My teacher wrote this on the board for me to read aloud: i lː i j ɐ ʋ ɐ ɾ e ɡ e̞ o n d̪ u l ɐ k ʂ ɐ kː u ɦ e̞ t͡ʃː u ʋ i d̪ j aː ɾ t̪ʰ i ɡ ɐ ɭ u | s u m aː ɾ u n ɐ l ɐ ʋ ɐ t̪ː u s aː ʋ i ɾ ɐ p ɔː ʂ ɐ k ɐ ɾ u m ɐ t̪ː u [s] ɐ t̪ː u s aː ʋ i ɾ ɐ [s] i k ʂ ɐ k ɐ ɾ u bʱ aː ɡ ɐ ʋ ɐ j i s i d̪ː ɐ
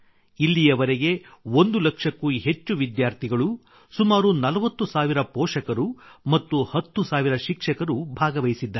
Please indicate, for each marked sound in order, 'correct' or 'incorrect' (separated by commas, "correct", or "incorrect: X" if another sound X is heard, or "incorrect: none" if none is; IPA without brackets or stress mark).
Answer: incorrect: h, incorrect: ʃ